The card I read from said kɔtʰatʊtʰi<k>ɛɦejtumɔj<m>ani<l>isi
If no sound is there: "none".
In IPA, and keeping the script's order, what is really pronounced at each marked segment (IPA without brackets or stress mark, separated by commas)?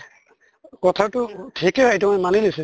k, m, l